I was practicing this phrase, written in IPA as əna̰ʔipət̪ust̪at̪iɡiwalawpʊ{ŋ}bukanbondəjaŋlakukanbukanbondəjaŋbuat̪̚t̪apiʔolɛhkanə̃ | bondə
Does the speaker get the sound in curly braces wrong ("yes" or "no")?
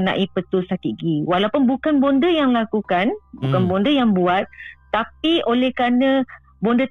yes